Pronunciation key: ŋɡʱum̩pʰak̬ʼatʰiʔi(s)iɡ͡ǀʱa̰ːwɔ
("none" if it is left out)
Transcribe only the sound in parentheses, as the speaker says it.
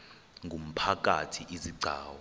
z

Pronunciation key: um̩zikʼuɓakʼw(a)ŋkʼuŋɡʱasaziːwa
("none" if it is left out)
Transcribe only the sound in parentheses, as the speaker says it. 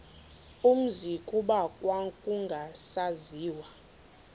a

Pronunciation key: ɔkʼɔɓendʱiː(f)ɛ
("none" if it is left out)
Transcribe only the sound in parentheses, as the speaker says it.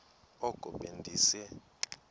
s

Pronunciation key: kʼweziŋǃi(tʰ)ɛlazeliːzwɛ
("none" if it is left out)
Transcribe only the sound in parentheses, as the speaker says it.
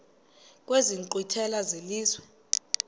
tʰ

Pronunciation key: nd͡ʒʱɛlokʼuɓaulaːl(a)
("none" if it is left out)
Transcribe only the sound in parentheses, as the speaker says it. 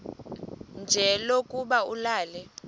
ɛ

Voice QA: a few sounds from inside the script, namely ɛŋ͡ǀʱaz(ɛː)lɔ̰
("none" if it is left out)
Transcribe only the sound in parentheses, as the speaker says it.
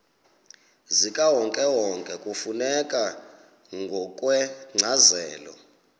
ɛː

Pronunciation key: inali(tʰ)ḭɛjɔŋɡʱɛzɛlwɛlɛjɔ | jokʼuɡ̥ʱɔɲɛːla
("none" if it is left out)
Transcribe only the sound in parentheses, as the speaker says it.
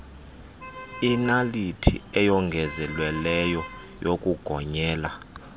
tʰ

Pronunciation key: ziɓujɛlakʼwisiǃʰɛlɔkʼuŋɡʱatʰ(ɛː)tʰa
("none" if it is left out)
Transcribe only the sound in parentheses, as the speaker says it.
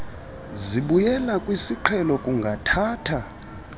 aː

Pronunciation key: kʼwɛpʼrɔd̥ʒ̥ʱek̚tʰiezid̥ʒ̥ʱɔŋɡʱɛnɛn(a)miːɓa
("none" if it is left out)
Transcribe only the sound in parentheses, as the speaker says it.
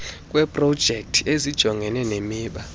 e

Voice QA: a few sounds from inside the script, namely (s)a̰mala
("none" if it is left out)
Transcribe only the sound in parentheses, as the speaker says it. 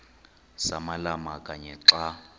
s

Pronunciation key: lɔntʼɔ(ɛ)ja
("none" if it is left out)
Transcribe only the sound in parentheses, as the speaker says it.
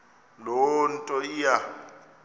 i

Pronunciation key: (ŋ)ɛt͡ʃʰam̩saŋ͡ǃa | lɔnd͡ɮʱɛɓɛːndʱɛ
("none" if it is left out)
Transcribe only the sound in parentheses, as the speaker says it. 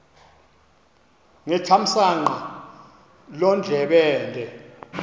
ŋ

